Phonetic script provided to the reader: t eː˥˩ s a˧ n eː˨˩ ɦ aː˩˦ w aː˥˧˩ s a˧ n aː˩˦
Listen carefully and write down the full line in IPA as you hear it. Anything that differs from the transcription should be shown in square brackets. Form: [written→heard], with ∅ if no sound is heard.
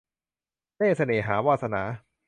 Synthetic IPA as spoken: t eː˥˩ s a˧ n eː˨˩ ɦ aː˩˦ w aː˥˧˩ s a˧ n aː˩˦